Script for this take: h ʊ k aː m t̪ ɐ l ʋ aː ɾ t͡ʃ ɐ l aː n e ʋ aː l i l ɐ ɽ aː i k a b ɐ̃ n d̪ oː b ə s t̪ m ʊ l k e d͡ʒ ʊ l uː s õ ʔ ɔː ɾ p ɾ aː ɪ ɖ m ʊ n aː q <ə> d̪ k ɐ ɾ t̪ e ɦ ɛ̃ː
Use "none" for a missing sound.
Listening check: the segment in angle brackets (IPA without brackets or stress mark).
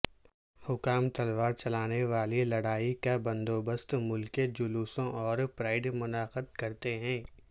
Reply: ə